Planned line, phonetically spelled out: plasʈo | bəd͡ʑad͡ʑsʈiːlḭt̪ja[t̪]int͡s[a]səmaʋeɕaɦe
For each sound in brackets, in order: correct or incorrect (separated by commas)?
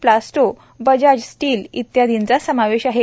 incorrect, correct